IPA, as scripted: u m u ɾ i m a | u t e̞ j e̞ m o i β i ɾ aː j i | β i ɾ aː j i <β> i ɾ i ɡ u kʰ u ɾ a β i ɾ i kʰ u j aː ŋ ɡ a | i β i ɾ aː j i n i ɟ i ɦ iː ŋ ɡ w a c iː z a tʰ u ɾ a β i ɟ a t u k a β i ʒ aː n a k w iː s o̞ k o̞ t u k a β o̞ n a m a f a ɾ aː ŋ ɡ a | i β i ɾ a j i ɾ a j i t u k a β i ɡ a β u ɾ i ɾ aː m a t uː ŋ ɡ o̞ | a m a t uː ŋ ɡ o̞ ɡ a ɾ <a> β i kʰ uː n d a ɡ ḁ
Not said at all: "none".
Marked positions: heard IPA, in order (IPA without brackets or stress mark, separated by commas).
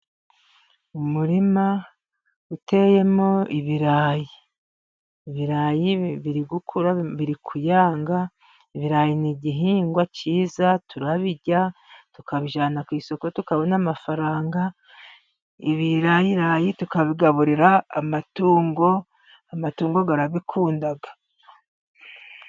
β, a